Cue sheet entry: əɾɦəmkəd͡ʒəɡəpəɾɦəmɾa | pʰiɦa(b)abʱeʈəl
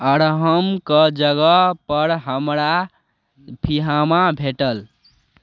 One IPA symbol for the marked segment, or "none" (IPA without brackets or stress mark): m